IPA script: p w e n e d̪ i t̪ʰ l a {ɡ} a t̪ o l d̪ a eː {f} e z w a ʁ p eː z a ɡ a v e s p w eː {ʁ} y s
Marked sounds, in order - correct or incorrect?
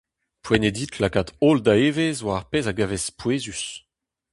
incorrect, incorrect, incorrect

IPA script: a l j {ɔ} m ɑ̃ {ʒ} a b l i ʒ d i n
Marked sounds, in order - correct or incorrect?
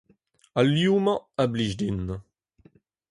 incorrect, incorrect

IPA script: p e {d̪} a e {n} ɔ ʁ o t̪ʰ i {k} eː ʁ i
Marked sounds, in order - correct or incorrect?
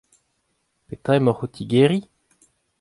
incorrect, incorrect, incorrect

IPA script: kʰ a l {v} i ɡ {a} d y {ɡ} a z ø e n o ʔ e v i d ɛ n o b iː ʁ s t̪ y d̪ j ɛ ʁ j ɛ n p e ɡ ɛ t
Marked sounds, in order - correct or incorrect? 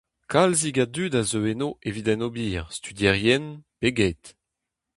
incorrect, correct, incorrect

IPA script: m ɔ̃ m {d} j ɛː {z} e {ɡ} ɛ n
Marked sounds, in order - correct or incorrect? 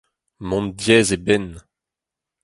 correct, correct, incorrect

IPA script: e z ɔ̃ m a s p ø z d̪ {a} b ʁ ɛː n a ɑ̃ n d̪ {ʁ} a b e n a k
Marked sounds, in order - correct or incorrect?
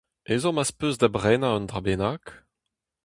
correct, correct

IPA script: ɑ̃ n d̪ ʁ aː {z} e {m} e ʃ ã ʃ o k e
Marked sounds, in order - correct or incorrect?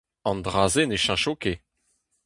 correct, incorrect

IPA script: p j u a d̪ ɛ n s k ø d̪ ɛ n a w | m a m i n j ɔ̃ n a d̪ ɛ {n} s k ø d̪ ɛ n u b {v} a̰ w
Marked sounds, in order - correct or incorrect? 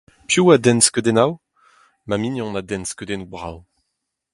correct, incorrect

